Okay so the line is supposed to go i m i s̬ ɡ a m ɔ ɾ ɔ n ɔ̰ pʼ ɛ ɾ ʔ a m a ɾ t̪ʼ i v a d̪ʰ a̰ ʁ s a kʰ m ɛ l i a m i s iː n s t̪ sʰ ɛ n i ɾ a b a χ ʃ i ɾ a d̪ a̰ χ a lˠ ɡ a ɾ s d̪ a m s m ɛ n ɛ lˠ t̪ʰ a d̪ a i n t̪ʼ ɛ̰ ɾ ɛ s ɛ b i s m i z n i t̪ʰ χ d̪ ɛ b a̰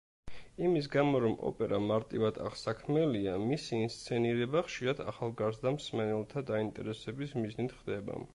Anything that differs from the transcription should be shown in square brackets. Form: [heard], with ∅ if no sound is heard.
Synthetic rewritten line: i m i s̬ ɡ a m ɔ ɾ ɔ [m] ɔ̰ pʼ ɛ ɾ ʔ a m a ɾ t̪ʼ i v a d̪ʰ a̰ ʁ s a kʰ m ɛ l i a m i s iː n s t̪ sʰ ɛ n i ɾ [ɛ] b a χ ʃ i ɾ a d̪ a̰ χ a lˠ ɡ a ɾ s d̪ a m s m ɛ n ɛ lˠ t̪ʰ a d̪ a i n t̪ʼ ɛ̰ ɾ ɛ s ɛ b i s m i z n i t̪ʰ χ d̪ ɛ b a̰